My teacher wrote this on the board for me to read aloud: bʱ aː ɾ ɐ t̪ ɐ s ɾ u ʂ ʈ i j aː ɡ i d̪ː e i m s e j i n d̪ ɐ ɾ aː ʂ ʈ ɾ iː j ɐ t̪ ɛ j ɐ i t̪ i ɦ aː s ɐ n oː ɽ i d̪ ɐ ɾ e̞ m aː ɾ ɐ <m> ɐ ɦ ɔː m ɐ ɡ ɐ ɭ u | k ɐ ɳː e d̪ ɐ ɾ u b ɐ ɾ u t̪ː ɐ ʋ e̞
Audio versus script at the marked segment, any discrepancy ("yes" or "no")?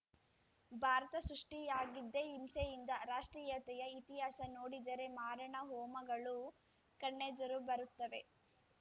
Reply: yes